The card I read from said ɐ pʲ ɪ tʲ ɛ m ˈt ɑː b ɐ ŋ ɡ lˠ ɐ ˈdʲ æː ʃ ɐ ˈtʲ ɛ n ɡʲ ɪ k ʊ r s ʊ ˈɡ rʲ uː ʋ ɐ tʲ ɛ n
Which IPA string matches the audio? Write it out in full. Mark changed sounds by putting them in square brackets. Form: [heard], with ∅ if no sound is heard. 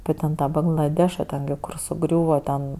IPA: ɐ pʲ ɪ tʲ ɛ [n] ˈt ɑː b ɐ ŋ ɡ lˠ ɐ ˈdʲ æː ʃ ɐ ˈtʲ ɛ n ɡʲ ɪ k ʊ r s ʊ ˈɡ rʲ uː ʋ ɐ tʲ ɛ n

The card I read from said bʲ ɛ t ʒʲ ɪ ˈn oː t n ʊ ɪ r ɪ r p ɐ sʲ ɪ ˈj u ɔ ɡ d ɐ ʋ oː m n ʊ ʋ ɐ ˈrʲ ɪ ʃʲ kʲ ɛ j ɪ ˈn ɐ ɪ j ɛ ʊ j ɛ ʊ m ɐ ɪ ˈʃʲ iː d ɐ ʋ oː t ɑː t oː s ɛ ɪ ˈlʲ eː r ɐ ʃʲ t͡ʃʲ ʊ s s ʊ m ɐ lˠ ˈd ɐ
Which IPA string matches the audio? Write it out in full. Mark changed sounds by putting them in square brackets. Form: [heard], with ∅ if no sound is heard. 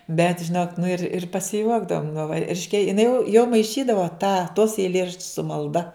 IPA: bʲ ɛ t ʒʲ ɪ ˈn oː [k] n ʊ ɪ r ɪ r p ɐ sʲ ɪ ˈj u ɔ ɡ d ɐ ʋ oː m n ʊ ʋ ɐ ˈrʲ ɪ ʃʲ kʲ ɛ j ɪ ˈn ɐ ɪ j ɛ ʊ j ɛ ʊ m ɐ ɪ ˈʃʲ iː d ɐ ʋ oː t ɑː t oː s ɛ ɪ ˈlʲ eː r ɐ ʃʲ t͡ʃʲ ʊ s s ʊ m ɐ lˠ ˈd ɐ

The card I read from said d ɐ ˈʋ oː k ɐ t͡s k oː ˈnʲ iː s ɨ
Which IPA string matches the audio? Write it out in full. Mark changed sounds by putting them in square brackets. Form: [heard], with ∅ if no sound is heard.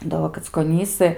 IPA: d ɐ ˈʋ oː k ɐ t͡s k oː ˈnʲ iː s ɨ

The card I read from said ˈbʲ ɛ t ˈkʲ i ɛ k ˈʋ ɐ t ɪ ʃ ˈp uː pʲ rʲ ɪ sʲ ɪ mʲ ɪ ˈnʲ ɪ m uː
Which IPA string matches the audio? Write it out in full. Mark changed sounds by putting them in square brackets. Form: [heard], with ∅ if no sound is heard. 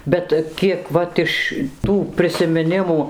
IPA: ˈbʲ ɛ t ˈkʲ i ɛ k ˈʋ ɐ t ɪ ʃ [ˈt] uː pʲ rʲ ɪ sʲ ɪ mʲ ɪ ˈnʲ ɪ m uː

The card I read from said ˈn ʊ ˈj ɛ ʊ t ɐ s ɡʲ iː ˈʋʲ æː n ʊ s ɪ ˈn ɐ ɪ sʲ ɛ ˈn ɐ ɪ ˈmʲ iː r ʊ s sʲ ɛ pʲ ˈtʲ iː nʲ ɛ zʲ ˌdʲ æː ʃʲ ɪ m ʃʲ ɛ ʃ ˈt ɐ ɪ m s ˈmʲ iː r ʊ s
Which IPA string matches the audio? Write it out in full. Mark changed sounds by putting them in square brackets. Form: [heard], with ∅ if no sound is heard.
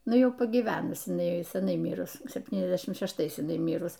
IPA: ˈn ʊ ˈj ɛ ʊ [p] ɐ [∅] ɡʲ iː ˈʋʲ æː n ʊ s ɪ ˈn ɐ ɪ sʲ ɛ ˈn ɐ ɪ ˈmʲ iː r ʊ s sʲ ɛ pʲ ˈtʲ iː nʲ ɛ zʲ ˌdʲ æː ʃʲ ɪ m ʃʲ ɛ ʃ ˈt ɐ ɪ [∅] s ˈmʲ iː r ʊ s

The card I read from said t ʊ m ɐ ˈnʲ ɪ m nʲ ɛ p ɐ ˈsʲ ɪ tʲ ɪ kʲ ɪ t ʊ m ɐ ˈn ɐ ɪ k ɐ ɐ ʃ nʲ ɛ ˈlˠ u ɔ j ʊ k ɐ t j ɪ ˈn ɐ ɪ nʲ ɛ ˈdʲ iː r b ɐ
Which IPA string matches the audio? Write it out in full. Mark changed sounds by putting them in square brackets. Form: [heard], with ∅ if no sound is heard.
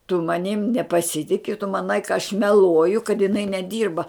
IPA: t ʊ m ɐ ˈnʲ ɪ m nʲ ɛ p ɐ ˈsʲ ɪ tʲ ɪ kʲ ɪ t ʊ m ɐ ˈn ɐ ɪ k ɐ ɐ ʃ [mʲ] ɛ ˈlˠ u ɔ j ʊ k ɐ t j ɪ ˈn ɐ ɪ nʲ ɛ ˈdʲ iː r b ɐ

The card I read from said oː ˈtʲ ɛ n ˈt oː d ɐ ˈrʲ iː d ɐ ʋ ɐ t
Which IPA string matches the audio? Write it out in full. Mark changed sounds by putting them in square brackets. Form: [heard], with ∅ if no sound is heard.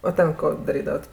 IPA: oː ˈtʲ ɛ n [ˈk] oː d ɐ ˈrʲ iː d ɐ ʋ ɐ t

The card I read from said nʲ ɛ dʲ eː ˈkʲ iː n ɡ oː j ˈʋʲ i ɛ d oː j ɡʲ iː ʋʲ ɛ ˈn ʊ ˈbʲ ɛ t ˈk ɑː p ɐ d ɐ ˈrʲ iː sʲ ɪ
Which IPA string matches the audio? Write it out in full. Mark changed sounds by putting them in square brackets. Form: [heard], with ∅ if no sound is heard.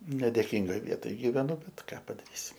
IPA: nʲ ɛ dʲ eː ˈkʲ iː [ŋ] ɡ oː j ˈʋʲ i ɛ [t] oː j ɡʲ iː ʋʲ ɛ ˈn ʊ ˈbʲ ɛ t ˈk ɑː p ɐ d ɐ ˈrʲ iː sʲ ɪ

